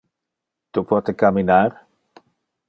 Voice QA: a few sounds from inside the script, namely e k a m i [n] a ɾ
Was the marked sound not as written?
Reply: no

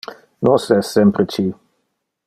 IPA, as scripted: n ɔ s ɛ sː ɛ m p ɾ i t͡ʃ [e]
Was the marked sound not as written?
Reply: yes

